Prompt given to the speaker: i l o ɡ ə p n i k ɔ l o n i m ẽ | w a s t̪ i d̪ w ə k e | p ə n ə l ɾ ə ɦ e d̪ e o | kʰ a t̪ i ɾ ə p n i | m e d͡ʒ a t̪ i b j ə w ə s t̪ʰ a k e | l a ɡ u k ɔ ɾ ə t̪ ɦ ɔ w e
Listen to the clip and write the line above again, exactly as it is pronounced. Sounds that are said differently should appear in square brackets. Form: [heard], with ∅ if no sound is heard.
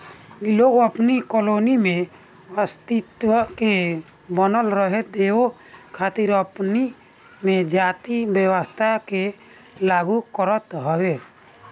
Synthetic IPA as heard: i l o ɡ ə p n i k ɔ l o n i m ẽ | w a s t̪ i [t̪] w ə k e | [b] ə n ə l ɾ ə ɦ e d̪ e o | kʰ a t̪ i ɾ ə p n i | m e d͡ʒ a t̪ i b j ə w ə s t̪ʰ a k e | l a ɡ u k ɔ ɾ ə t̪ ɦ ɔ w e

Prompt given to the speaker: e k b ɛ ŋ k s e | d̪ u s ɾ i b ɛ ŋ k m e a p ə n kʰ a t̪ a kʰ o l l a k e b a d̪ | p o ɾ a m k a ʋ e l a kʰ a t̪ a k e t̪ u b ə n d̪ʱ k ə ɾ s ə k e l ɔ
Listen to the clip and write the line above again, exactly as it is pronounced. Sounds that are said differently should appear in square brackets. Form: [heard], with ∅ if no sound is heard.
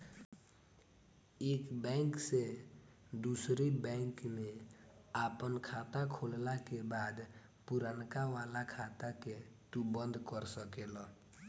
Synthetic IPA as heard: e k b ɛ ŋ k s e | d̪ u s ɾ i b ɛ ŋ k m e a p ə n kʰ a t̪ a kʰ o l l a k e b a d̪ | p [u] ɾ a [n] k a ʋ [a] l a kʰ a t̪ a k e t̪ u b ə n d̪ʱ k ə ɾ s ə k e l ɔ

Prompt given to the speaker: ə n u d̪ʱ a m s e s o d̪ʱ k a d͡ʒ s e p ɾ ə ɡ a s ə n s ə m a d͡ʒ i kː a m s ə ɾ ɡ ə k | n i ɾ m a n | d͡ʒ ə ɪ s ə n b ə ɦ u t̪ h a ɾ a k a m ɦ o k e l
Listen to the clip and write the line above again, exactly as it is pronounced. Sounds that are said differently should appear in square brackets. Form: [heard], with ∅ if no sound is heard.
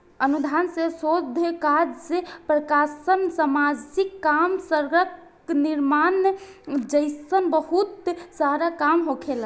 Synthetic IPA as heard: ə n u d̪ʱ a [n] s e s o d̪ʱ k a d͡ʒ s e p ɾ ə [k] a s ə n s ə m a d͡ʒ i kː a m s ə ɾ ɡ ə k | n i ɾ m a n | d͡ʒ ə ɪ s ə n b ə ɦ u t̪ [s] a ɾ a k a m ɦ o [kʰ] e l

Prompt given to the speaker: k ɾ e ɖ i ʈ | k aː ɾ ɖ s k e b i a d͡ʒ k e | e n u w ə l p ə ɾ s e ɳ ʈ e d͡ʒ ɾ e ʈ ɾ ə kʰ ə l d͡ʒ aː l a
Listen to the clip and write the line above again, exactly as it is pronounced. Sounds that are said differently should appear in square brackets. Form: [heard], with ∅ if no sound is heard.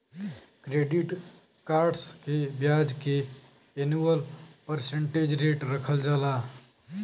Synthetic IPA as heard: k ɾ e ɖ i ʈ | k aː ɾ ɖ s k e b [j] a d͡ʒ k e | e n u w ə l p ə ɾ s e ɳ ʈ e d͡ʒ ɾ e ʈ ɾ ə kʰ ə l d͡ʒ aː l a

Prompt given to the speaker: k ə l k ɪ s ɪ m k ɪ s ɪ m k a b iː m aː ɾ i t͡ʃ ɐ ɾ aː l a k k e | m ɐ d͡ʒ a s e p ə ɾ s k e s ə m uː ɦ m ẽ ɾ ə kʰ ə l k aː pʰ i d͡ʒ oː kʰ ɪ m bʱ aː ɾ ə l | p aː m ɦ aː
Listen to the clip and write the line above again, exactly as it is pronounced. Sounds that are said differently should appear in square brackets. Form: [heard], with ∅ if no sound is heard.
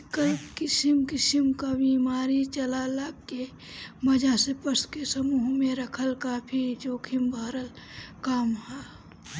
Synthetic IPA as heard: k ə l k ɪ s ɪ m k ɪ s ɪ m k a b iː m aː ɾ i t͡ʃ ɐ [l] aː l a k k e | m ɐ d͡ʒ a s e p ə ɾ s k e s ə m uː ɦ m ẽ ɾ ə kʰ ə l k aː pʰ i d͡ʒ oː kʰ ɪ m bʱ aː ɾ ə l | [k] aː m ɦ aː

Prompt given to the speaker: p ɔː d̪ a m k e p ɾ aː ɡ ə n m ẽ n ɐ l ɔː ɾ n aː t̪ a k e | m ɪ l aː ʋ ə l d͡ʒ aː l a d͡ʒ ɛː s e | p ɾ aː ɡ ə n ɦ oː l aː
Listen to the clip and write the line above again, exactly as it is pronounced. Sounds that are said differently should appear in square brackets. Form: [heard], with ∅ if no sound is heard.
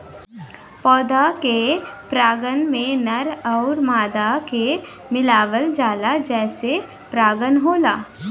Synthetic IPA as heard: p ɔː d̪ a [∅] k e p ɾ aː ɡ ə n m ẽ n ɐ [ɾ] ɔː ɾ [m] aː [d̪] a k e | m ɪ l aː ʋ ə l d͡ʒ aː l a d͡ʒ ɛː s e | p ɾ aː ɡ ə n ɦ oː l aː

